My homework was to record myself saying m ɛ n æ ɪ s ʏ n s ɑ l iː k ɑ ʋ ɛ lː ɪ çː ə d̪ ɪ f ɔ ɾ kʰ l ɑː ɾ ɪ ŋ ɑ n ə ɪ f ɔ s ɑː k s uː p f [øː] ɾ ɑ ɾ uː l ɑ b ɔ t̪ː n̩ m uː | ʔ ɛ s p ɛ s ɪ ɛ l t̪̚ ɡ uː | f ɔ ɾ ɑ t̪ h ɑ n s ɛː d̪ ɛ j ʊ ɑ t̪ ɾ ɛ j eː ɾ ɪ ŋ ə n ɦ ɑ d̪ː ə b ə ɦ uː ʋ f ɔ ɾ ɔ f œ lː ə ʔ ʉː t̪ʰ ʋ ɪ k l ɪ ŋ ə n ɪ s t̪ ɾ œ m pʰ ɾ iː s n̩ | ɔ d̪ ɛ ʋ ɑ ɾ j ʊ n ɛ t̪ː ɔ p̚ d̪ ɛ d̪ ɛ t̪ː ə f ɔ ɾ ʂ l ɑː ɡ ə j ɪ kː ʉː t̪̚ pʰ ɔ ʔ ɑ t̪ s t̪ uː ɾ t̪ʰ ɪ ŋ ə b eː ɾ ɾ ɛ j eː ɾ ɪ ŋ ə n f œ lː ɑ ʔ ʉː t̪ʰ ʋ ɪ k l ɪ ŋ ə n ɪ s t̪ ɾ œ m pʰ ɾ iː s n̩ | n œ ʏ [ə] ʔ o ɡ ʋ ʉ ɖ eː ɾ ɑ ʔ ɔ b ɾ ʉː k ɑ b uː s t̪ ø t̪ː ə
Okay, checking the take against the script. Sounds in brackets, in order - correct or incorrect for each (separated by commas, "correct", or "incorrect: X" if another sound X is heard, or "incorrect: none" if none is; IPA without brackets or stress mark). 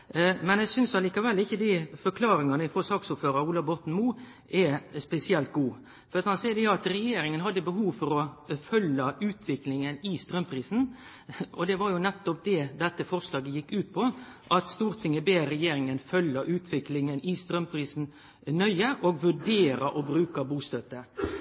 correct, correct